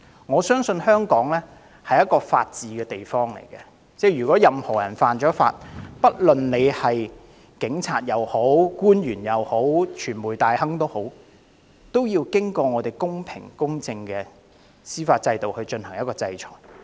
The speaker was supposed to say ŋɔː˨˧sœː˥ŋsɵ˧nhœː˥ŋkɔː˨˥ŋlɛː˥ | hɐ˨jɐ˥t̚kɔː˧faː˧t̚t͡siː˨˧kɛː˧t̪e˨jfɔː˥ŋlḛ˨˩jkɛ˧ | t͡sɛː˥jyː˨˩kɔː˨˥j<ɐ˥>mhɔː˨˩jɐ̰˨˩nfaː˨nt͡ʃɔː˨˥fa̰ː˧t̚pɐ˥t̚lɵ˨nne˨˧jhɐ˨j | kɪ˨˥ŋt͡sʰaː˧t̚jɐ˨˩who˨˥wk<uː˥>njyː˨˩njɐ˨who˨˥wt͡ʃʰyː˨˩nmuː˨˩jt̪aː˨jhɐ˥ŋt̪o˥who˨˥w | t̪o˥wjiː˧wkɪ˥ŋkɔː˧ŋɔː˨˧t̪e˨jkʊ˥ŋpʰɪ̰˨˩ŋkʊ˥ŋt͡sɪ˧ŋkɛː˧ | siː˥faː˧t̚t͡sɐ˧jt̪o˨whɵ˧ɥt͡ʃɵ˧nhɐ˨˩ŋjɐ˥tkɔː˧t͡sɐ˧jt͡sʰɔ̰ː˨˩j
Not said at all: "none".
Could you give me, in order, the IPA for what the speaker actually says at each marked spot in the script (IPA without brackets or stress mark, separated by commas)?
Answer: ɐ˨, uː˥